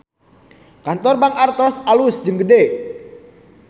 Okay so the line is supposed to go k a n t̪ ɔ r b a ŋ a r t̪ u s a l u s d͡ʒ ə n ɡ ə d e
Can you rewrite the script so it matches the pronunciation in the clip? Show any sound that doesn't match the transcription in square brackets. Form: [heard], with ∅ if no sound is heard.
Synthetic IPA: k a n t̪ ɔ r b a ŋ a r t̪ [ɔ] s a l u s d͡ʒ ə [ŋ] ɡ ə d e